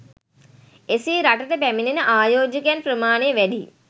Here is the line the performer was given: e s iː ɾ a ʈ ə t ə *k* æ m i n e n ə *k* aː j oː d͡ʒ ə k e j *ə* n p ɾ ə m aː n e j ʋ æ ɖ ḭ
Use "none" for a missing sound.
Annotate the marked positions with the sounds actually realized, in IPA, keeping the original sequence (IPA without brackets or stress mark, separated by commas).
p, ʔ, a